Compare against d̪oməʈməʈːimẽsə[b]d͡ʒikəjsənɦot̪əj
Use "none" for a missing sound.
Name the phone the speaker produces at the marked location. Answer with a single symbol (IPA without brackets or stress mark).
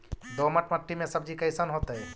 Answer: b